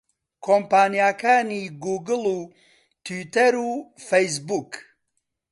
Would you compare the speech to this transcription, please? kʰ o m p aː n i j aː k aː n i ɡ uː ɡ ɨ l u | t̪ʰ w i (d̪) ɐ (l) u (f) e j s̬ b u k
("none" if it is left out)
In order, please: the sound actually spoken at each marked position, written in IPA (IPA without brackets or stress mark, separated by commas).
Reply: t̪, ɾ, f